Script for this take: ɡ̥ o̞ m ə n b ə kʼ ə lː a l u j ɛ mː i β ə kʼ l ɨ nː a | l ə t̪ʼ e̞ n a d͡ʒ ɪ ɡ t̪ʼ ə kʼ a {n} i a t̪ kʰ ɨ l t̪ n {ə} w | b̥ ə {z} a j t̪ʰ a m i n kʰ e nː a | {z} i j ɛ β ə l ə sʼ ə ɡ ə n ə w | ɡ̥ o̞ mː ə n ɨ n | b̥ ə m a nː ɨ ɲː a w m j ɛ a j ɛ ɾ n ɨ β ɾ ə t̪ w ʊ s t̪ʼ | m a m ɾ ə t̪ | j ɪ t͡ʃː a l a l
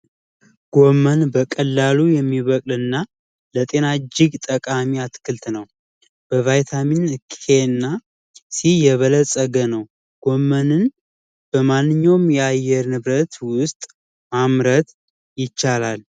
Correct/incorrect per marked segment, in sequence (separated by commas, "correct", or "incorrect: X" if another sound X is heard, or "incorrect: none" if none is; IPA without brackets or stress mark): incorrect: m, correct, incorrect: v, incorrect: s